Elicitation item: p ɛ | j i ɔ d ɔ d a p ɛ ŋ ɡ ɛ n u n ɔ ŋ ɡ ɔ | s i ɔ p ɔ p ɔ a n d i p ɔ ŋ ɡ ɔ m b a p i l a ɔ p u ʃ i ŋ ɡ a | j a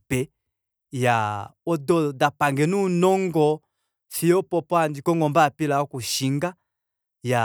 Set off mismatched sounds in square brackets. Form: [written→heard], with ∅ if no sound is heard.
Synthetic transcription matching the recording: p ɛ | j [i→a] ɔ d ɔ d a p [ɛ→a] ŋ ɡ ɛ n u n ɔ ŋ ɡ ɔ | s i ɔ p ɔ p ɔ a n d i [p→k] ɔ ŋ ɡ ɔ m b a p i l a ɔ [p→k] u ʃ i ŋ ɡ a | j a